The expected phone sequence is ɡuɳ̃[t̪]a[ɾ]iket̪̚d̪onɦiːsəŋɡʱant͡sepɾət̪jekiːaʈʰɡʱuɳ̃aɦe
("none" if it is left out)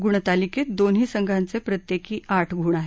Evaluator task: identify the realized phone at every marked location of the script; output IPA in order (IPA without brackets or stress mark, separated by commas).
t̪, l